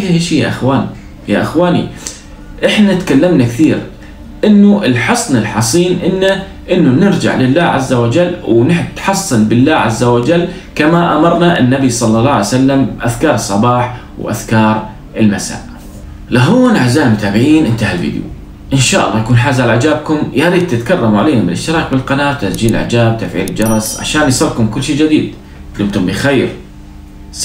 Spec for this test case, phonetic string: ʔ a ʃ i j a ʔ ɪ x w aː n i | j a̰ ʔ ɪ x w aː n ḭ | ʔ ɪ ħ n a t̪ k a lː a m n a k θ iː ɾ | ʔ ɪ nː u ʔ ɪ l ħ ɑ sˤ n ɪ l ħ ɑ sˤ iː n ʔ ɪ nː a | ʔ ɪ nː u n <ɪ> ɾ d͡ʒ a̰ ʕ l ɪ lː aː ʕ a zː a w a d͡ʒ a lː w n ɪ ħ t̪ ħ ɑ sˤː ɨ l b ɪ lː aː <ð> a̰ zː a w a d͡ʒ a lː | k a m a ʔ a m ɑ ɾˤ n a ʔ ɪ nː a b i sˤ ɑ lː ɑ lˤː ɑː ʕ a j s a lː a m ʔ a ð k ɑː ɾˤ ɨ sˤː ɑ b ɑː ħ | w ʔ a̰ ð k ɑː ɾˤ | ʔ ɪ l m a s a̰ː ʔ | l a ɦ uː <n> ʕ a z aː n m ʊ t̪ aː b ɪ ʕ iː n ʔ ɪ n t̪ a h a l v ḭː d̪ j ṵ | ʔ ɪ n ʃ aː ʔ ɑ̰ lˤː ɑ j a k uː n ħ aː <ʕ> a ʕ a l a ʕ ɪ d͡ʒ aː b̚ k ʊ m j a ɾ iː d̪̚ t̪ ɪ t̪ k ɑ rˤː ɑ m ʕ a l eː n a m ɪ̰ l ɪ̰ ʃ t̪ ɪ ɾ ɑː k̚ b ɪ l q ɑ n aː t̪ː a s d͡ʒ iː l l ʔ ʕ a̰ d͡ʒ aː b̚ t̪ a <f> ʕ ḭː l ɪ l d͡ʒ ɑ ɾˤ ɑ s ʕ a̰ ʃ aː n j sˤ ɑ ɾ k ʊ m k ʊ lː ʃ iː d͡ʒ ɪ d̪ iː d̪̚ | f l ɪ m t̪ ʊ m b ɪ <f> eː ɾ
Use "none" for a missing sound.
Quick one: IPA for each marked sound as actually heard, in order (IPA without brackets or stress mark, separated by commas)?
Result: ɪ, ʕ, n, z, f, x